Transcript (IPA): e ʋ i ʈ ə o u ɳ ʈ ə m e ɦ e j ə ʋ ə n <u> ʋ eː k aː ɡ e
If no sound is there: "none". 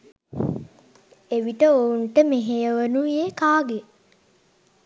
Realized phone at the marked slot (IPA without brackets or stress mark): u